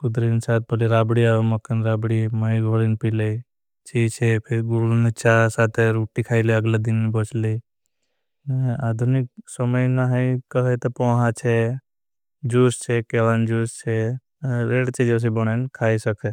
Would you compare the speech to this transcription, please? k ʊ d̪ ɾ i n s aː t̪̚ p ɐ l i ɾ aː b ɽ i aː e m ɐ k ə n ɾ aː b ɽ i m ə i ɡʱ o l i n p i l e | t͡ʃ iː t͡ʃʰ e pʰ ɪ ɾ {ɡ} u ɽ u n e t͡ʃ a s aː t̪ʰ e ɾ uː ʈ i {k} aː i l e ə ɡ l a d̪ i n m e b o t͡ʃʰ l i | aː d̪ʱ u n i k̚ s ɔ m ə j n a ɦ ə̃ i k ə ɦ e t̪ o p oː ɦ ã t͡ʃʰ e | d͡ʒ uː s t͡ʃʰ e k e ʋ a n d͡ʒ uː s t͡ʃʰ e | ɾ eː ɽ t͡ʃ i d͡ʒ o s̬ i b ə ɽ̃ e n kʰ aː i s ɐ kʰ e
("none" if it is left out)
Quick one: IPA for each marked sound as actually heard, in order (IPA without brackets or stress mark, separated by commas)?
ɡ, kʰ